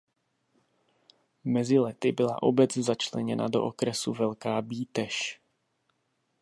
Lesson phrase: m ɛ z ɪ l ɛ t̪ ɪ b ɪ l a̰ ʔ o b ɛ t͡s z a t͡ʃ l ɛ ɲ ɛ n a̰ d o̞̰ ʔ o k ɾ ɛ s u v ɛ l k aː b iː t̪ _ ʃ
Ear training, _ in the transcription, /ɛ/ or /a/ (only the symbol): ɛ